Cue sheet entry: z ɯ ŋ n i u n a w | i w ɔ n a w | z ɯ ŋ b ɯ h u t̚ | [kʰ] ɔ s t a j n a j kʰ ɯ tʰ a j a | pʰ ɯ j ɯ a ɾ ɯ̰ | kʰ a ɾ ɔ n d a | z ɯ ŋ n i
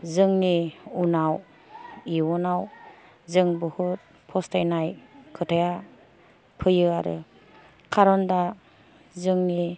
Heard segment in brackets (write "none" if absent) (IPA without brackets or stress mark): pʰ